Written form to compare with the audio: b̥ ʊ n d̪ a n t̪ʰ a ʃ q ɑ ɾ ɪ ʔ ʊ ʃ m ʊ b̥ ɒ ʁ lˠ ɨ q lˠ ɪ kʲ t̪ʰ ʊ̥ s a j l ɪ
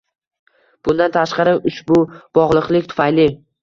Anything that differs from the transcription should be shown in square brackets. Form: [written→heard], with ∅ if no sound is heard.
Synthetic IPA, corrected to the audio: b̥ ʊ n d̪ a n t̪ʰ a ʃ q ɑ ɾ ɪ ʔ ʊ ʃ [m→b] ʊ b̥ ɒ ʁ lˠ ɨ q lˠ ɪ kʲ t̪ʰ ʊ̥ [s→f] a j l ɪ